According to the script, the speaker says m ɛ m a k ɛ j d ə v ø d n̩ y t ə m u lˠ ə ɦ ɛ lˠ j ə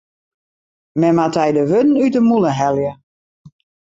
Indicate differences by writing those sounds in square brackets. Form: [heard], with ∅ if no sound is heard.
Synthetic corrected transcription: m ɛ m a [t] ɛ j d ə [ʋ] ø d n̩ y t ə m u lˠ ə ɦ ɛ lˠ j ə

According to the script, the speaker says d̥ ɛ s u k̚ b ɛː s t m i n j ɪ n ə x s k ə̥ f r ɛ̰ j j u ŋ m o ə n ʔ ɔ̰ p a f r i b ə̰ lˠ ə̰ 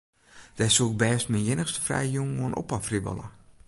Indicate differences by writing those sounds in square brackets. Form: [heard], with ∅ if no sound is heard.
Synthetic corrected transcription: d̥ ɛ s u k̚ b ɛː s t m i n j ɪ n ə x s [t] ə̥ f r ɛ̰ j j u ŋ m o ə n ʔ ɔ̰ p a f r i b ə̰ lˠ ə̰

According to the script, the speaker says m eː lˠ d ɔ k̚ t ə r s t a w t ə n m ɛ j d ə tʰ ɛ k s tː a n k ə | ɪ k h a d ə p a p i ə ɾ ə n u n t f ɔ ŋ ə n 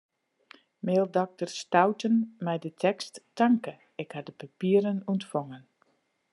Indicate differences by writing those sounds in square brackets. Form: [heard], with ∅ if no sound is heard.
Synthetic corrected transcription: m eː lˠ d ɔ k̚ t ə r s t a w t ə n m ɛ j d ə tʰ ɛ k s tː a [ŋ] k ə | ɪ k h a d ə p a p i ə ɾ ə n u n t f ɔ ŋ ə n

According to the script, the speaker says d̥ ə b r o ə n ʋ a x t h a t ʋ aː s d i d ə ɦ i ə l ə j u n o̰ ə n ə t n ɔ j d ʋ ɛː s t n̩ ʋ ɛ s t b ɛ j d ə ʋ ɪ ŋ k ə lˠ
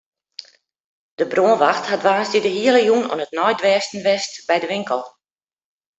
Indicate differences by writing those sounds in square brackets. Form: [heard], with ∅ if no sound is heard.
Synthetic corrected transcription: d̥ ə b r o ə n ʋ a x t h a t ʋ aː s d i d ə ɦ i ə l ə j u n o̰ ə n ə t n ɔ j d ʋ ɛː s t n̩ ʋ ɛ s t b ɛ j d ə ʋ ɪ ŋ k ə lˠ

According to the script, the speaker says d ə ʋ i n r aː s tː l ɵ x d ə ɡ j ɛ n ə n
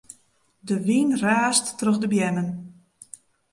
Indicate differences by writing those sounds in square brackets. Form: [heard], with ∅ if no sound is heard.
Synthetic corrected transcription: d ə ʋ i n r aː s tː [r] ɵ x d ə [b] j ɛ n ə n

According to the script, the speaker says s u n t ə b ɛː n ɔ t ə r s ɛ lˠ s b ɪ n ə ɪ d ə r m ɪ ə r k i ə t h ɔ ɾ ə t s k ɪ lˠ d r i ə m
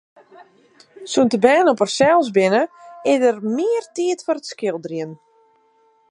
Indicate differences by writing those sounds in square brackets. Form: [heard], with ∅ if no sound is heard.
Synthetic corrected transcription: s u n t ə b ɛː n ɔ [p] ə r s ɛ lˠ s b ɪ n ə ɪ d ə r m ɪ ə r [t] i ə t [f] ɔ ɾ ə t s k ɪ lˠ d r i ə [n]

